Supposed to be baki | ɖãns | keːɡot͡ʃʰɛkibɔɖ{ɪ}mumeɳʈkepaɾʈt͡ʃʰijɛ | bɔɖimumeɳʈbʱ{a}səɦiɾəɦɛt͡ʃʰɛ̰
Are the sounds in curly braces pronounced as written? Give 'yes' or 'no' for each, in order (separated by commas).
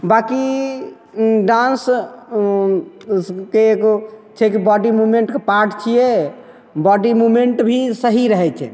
no, no